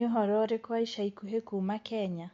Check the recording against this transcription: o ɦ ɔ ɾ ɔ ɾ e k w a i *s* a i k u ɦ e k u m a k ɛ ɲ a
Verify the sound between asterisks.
incorrect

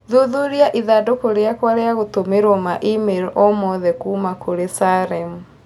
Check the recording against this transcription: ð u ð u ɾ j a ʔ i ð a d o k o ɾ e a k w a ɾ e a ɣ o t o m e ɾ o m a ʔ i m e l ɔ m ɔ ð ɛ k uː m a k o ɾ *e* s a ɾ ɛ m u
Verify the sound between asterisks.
correct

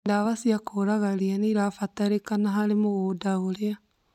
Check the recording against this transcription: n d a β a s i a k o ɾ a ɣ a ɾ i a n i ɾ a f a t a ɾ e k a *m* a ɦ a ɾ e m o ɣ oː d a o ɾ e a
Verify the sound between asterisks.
incorrect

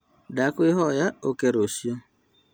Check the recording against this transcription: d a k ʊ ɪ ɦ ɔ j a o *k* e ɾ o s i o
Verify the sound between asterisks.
correct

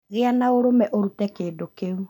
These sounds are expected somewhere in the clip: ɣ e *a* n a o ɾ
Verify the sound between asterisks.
correct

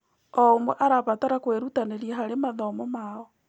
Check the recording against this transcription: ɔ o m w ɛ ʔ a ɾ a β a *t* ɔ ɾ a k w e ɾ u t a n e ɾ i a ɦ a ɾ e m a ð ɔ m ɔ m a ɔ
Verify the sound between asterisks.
correct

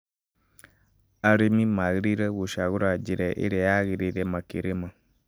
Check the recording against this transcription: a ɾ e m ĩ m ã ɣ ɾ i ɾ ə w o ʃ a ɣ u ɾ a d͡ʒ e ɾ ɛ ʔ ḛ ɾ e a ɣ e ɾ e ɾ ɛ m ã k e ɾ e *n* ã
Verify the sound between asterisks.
incorrect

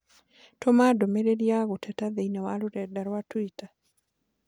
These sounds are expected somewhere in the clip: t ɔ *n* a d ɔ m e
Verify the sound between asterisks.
incorrect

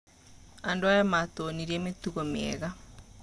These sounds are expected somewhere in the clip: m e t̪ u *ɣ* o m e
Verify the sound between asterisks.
correct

